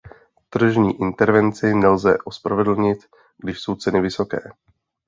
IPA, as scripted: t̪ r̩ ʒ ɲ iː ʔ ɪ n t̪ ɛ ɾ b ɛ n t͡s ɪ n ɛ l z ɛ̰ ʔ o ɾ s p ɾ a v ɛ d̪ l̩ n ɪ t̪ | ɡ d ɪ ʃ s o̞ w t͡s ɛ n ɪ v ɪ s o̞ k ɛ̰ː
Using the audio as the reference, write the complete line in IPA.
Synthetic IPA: t̪ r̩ ʒ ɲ iː ʔ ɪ n t̪ ɛ ɾ v ɛ n t͡s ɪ n ɛ l z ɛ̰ ʔ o s p ɾ a v ɛ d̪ l̩ ɲ ɪ t̪ | ɡ d ɪ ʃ s o̞ w t͡s ɛ n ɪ v ɪ s o̞ k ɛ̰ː